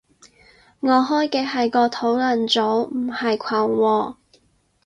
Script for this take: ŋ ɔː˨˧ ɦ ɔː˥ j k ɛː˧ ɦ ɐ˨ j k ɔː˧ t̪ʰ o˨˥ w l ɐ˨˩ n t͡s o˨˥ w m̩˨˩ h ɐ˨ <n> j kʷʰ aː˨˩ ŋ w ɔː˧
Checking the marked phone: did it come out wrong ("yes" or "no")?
yes